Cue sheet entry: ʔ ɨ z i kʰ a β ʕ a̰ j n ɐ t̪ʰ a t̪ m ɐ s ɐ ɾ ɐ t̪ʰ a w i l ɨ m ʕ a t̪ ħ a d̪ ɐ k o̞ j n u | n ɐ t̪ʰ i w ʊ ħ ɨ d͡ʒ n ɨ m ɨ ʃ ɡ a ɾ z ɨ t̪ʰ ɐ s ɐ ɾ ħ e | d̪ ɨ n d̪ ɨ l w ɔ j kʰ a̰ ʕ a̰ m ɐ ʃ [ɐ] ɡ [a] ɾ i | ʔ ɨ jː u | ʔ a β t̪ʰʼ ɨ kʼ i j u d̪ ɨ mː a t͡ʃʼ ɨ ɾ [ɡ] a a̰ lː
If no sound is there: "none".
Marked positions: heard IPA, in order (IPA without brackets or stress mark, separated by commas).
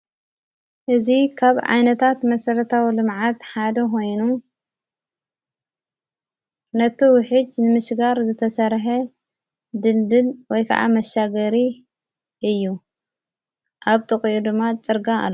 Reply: a, ɐ, ɡ